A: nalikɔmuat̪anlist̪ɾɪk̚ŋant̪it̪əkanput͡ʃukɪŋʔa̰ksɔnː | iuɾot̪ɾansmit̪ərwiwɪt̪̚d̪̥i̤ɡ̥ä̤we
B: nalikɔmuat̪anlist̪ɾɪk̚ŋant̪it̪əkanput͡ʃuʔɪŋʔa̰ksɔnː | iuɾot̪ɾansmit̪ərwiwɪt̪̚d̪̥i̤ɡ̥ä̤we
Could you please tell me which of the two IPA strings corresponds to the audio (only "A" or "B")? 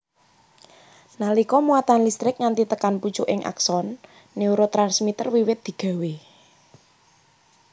B